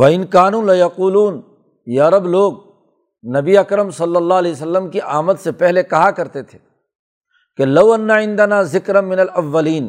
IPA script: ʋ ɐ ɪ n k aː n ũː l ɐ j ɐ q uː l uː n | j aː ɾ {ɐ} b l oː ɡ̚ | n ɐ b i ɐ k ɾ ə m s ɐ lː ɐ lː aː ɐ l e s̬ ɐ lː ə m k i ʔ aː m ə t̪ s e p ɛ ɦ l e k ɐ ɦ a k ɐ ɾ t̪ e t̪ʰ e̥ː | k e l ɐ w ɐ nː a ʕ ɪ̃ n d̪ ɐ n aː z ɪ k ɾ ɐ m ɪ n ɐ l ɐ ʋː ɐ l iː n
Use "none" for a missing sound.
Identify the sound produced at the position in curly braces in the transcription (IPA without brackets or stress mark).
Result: ɐ